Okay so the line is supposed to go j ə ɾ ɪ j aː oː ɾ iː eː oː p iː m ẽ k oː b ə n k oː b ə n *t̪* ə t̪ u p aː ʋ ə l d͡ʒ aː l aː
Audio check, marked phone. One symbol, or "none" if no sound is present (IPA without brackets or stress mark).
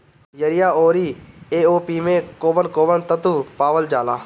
t̪